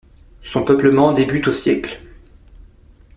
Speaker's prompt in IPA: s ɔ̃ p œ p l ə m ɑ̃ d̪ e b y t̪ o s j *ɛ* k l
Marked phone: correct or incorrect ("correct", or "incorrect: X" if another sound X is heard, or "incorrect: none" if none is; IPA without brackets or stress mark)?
correct